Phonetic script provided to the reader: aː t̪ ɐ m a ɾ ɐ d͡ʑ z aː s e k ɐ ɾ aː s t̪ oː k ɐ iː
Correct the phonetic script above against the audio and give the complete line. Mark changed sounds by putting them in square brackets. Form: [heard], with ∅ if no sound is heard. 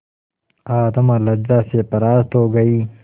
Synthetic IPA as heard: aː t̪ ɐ m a [l] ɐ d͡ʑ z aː s e [p] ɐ ɾ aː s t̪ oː [ɡ] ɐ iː